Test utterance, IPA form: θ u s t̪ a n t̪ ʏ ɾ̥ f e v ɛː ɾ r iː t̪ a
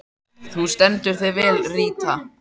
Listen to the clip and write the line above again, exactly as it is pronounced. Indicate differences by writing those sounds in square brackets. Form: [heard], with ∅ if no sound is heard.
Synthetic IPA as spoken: θ u s t̪ [ɛ] n t̪ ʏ ɾ̥ [θ] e v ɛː [l] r iː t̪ a